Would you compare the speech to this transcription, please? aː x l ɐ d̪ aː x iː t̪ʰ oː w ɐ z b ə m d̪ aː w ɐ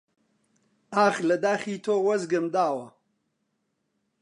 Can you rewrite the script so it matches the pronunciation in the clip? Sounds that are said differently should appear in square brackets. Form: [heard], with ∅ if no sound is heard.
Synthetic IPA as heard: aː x l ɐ d̪ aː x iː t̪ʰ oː w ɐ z [ɡ] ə m d̪ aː w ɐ